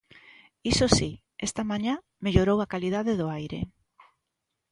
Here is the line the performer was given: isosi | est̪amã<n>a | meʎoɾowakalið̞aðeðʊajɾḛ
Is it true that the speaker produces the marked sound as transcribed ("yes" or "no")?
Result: no